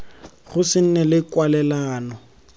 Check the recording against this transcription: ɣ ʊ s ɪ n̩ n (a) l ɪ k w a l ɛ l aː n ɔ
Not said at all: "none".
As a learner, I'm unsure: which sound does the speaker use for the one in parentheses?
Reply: ɛ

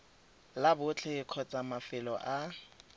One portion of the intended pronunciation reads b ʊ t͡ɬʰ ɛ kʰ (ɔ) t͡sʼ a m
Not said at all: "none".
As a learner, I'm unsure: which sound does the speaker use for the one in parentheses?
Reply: ɔ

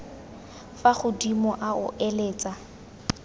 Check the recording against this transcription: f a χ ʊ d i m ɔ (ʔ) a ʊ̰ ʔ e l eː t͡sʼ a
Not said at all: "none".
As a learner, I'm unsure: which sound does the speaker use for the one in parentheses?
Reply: ʔ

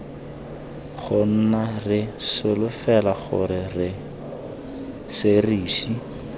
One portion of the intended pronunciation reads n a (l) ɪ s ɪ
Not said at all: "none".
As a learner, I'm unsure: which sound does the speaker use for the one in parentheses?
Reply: r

